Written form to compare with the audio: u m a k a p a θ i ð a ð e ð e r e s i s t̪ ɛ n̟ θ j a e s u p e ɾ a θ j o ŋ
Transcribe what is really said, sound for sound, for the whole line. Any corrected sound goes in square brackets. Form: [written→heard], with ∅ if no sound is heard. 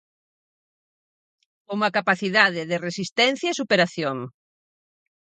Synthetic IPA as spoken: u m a k a p a θ i ð a ð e ð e r e s i s t̪ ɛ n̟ θ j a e s u p e ɾ a θ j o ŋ